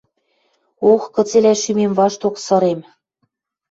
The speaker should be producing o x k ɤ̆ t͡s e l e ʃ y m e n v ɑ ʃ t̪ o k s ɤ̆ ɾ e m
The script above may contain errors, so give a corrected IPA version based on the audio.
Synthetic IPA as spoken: o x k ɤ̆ t͡s e l æ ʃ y m e m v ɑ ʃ t̪ o k s ɤ̆ ɾ e m